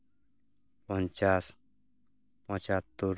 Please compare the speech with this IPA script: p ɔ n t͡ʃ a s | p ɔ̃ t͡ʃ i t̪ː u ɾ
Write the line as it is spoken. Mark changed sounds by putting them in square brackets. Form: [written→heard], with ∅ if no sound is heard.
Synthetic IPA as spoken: p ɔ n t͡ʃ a s | p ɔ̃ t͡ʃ [i→a] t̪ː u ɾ